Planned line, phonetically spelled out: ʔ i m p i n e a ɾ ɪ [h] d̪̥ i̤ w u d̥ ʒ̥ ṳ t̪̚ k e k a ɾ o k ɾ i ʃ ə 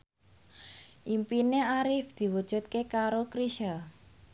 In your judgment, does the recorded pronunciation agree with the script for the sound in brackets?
no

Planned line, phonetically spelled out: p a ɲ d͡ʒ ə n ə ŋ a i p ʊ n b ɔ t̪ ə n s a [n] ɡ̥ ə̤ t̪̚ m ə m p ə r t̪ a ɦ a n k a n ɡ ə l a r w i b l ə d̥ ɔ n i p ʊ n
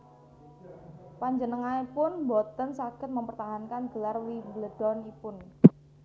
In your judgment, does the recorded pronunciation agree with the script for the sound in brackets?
no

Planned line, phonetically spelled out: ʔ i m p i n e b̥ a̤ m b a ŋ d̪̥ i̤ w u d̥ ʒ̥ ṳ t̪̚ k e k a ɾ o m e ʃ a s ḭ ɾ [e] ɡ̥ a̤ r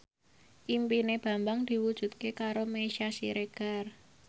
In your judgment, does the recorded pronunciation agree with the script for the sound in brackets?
yes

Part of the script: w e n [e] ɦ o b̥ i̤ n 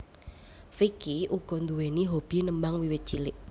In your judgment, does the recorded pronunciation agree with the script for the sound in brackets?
no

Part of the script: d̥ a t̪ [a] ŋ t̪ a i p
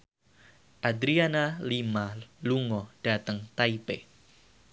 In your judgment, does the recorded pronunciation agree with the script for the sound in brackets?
no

